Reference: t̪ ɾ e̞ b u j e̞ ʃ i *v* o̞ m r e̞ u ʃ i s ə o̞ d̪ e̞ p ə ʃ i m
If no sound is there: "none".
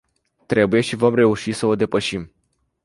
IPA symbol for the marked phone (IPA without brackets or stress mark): v